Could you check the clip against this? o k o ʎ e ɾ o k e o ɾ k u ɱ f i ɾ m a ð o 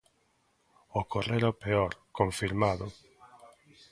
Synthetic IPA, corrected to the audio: o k o r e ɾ o p e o ɾ k o ɱ f i ɾ m a ð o